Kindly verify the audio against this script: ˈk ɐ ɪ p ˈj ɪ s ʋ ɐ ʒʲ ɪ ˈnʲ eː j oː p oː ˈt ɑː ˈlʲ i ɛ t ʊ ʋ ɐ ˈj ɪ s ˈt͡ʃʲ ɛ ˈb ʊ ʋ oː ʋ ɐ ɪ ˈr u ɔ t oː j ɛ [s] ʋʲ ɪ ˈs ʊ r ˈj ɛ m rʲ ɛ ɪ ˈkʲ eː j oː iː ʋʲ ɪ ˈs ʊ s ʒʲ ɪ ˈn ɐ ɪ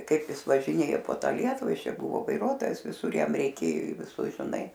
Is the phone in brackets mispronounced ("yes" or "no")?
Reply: no